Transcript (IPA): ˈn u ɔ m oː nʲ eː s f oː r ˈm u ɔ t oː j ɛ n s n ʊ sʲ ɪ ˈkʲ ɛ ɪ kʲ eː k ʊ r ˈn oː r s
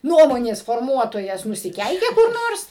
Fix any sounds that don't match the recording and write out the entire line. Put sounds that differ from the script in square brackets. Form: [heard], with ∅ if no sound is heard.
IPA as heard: ˈn u ɔ m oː nʲ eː s f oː r ˈm u ɔ t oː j ɛ [∅] s n ʊ sʲ ɪ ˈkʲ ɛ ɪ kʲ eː k ʊ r ˈn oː r s